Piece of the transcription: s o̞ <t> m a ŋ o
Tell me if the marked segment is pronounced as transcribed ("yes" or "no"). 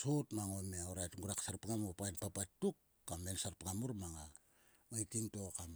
yes